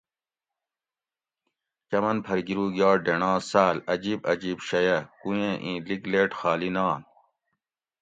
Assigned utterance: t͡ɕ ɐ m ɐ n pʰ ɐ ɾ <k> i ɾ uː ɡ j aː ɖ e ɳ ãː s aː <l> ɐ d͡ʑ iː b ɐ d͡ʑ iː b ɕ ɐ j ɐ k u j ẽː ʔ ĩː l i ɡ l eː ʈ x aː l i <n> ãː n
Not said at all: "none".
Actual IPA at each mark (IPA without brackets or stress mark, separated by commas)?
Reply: ɡ, l, n